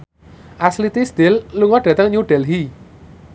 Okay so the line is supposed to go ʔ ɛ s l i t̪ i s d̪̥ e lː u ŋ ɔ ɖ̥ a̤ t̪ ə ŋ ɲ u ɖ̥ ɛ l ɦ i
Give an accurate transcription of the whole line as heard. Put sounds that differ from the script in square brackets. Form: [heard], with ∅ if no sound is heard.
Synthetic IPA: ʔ [a] s l i t̪ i s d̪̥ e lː u ŋ ɔ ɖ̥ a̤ t̪ ə ŋ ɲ u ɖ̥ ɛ l ɦ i